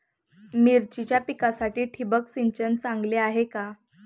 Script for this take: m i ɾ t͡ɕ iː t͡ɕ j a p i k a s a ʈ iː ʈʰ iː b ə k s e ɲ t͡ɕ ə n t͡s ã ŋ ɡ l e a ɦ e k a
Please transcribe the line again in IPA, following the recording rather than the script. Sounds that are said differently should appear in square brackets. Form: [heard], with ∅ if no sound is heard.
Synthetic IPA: m i ɾ t͡ɕ [i] t͡ɕ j a p i k a s a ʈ iː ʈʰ [i] b ə k s [i] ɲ t͡ɕ ə n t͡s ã ŋ ɡ l e a ɦ e k a